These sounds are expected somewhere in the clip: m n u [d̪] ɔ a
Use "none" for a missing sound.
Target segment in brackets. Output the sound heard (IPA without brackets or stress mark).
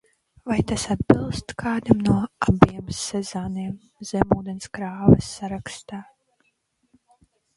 none